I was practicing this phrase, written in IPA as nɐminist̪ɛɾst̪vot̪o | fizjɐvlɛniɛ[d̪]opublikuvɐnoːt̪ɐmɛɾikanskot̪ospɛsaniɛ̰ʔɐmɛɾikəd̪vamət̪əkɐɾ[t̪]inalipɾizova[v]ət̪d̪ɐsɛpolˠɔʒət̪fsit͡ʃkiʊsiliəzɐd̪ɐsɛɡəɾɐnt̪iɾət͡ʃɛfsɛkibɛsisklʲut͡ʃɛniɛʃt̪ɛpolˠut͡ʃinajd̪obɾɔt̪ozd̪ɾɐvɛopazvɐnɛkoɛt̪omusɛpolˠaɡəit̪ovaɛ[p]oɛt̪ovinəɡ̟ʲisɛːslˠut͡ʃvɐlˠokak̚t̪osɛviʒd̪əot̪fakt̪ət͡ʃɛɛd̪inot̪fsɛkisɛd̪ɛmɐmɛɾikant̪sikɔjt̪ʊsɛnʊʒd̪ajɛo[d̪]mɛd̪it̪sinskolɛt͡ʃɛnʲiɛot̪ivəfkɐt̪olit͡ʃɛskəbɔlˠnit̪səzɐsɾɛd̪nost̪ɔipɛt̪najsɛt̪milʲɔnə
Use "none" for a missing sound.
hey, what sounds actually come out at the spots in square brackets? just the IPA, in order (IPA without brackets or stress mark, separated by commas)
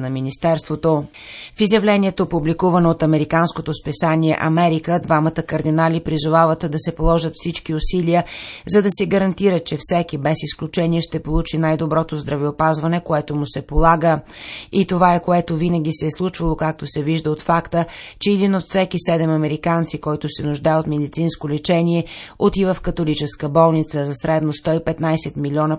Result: t̪, d̪, v, k, t̪